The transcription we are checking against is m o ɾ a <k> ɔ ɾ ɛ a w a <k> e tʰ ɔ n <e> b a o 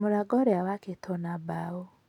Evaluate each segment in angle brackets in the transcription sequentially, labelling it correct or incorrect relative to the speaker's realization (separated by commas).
incorrect, correct, incorrect